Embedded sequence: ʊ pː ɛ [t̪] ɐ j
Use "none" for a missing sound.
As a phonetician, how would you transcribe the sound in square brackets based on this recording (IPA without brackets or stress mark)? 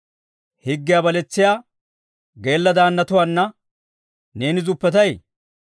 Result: t̪